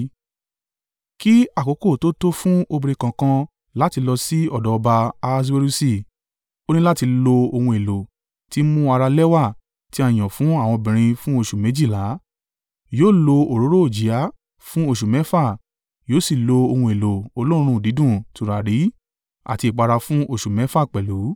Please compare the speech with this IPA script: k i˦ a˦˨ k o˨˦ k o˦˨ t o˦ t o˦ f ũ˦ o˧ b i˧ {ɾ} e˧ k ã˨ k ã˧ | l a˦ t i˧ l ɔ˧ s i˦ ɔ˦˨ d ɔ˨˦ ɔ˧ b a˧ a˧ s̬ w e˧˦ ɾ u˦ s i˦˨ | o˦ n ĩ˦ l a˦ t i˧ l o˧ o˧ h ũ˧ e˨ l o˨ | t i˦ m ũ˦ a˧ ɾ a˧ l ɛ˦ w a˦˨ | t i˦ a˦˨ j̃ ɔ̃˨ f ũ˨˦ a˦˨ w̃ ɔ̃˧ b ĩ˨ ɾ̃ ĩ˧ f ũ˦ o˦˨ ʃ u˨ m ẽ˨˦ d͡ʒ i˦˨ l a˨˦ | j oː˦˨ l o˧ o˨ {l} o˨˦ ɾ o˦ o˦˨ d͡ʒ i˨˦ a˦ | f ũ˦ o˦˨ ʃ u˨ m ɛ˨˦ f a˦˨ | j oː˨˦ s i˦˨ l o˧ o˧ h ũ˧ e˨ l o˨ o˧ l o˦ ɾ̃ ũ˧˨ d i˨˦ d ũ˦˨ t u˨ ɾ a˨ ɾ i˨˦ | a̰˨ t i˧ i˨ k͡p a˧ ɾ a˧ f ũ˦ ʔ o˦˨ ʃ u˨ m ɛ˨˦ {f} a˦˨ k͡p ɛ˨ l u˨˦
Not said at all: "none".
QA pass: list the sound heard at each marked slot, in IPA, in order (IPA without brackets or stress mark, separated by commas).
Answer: ɾ, ɾ, f